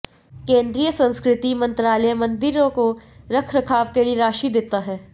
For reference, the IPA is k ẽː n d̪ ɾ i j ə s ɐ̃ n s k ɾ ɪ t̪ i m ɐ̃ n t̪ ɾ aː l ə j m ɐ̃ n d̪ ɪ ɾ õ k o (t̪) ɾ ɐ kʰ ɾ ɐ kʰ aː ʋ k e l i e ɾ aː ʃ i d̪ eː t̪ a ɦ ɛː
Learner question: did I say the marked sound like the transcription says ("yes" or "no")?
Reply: no